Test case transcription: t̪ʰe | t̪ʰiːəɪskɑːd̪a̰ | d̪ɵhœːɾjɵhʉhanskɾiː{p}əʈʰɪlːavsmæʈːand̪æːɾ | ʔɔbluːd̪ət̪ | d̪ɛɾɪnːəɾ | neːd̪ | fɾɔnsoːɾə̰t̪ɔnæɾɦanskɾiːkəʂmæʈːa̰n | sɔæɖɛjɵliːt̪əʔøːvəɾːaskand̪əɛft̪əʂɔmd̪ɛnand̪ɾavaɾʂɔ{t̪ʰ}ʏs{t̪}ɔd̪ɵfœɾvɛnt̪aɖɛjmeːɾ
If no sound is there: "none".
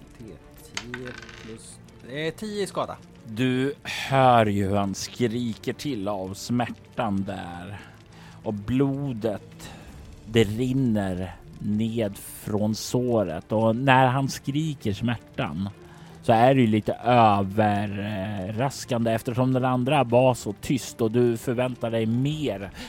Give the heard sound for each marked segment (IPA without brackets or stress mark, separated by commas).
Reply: k, t̪ʰ, t̪